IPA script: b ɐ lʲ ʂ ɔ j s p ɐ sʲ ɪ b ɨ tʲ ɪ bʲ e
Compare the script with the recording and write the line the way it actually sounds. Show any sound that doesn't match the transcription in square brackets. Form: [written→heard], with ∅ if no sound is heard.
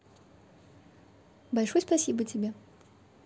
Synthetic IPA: b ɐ lʲ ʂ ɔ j s p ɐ sʲ [ɪ→i] b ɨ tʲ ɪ bʲ e